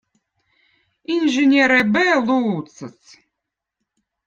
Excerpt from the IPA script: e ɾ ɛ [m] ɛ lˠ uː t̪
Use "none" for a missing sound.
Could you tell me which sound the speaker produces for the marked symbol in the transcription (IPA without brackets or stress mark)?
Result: b